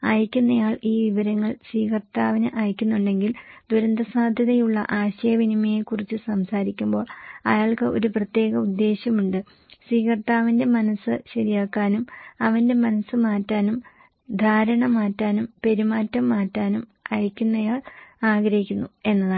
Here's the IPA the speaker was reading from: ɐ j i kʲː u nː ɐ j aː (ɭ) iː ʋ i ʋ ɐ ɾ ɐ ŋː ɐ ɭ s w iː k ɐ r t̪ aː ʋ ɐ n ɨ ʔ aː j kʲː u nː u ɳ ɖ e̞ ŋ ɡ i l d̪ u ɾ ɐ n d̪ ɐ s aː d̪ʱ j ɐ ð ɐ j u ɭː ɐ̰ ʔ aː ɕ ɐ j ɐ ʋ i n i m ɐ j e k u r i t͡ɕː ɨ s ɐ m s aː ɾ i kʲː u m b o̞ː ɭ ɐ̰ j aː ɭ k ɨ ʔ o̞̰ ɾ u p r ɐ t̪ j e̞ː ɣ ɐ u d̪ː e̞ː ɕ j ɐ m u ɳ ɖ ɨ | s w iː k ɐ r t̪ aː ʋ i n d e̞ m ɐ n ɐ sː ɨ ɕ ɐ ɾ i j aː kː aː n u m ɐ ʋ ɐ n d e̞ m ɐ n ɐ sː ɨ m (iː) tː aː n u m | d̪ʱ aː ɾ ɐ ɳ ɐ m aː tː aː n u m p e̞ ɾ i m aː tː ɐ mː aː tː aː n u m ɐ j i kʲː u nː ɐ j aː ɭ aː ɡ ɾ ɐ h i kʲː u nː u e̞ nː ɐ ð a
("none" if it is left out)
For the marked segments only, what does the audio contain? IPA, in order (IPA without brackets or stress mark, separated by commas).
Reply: ɭ, aː